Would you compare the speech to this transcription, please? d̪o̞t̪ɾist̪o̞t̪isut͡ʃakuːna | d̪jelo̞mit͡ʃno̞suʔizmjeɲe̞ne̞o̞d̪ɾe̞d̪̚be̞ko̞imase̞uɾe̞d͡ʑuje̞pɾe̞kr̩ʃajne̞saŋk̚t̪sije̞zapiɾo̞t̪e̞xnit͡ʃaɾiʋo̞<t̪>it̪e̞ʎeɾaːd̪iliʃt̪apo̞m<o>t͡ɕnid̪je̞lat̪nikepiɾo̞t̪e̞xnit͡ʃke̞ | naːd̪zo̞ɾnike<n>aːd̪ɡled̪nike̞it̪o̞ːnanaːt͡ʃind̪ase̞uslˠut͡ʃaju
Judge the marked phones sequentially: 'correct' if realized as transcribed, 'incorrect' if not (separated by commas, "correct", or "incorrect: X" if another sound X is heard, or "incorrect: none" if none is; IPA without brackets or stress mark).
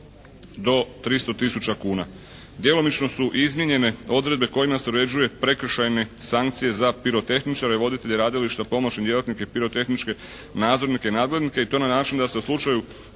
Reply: incorrect: d̪, correct, correct